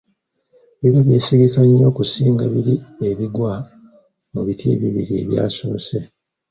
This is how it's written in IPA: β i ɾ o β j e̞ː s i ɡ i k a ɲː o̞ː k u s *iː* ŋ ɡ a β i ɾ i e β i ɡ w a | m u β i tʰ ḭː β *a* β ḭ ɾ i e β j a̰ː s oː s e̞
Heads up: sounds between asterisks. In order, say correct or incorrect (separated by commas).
correct, incorrect